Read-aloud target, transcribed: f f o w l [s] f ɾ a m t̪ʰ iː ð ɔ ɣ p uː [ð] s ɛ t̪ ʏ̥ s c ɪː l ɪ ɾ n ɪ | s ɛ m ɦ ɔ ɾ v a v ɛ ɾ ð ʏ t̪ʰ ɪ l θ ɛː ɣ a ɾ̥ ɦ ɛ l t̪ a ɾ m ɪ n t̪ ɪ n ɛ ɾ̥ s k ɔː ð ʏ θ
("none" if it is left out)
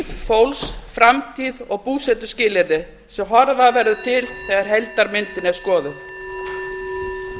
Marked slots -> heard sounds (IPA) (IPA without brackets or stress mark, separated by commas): s, none